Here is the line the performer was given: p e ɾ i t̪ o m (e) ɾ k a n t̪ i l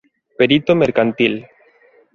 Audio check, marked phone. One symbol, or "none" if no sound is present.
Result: e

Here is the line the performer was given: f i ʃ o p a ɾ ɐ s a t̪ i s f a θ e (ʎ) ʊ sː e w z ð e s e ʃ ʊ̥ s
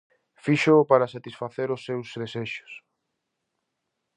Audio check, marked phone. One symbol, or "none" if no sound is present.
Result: ɾ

